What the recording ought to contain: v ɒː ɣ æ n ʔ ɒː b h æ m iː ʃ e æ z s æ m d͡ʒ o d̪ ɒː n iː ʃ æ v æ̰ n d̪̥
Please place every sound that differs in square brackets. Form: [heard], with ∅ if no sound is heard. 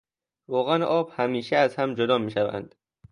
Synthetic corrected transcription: v ɒː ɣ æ n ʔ ɒː b h æ m iː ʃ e æ z [h] æ m d͡ʒ o d̪ ɒː [m] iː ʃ æ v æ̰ n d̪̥